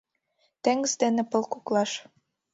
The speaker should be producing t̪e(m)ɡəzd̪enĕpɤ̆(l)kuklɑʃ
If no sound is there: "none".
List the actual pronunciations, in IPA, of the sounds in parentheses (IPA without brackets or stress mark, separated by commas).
ŋ, l